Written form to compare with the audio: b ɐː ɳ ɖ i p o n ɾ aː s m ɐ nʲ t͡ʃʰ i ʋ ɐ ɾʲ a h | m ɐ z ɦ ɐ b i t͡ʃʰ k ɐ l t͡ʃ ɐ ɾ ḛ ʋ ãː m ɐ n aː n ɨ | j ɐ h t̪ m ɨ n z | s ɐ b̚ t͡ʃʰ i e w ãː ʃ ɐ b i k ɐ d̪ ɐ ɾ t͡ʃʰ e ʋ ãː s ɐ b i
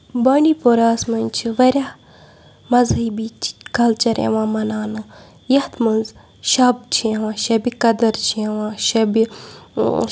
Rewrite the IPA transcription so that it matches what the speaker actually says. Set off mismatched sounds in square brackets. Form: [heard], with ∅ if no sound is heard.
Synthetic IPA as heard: b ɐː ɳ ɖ i p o [∅] ɾ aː s m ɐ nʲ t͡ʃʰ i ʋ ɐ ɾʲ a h | m ɐ z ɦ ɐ b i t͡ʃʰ k ɐ l t͡ʃ ɐ ɾ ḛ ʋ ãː m ɐ n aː n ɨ | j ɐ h t̪ m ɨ n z | [ʃ] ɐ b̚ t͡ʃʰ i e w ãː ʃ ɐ b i k ɐ d̪ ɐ ɾ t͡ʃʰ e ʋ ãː [ʃ] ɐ b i